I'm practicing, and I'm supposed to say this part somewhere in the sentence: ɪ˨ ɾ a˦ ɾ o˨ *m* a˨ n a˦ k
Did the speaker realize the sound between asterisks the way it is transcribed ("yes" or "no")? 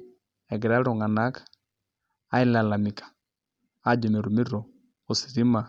no